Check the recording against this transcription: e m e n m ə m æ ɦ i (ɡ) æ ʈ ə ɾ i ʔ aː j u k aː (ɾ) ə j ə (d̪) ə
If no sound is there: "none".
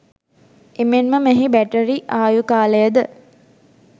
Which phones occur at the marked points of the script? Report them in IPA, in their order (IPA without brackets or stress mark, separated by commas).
b, l, d̪